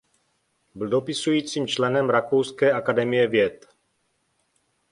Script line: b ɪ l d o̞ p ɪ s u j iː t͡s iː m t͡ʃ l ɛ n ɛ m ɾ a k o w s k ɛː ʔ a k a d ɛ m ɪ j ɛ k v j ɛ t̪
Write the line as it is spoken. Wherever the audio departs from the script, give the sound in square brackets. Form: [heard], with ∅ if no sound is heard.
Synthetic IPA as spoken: b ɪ l d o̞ p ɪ s u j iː t͡s iː m t͡ʃ l ɛ n ɛ m ɾ a k o w s k ɛː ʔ a k a d ɛ m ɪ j ɛ [∅] v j ɛ t̪

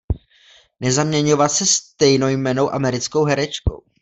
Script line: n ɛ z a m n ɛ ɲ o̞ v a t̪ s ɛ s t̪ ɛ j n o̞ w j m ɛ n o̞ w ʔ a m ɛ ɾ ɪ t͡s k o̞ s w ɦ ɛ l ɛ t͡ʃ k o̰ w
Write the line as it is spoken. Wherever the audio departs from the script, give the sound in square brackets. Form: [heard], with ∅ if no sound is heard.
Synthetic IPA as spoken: n ɛ z a m [ɲ] ɛ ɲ o̞ v a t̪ s ɛ s t̪ ɛ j n o̞ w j m ɛ n o̞ w ʔ a m ɛ ɾ ɪ t͡s k o̞ [∅] w ɦ ɛ [ɾ] ɛ t͡ʃ k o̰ w

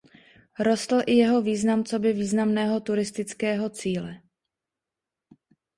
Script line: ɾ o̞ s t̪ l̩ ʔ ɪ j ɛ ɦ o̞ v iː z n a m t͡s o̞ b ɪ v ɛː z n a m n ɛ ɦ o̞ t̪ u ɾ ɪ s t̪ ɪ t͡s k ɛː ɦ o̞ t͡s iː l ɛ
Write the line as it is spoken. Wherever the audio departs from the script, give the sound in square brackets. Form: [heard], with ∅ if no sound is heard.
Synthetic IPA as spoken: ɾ o̞ s t̪ l̩ ʔ ɪ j ɛ ɦ o̞ v iː z n a m t͡s o̞ b ɪ v [iː] z n a m n [ɛː] ɦ o̞ t̪ u ɾ ɪ s t̪ ɪ t͡s k ɛː ɦ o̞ t͡s iː l ɛ

